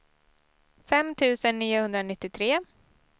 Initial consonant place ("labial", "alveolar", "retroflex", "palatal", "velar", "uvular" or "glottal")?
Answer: labial